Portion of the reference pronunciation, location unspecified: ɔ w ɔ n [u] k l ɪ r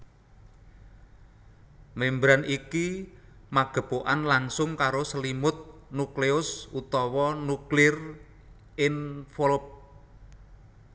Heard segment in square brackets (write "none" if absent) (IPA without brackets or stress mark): u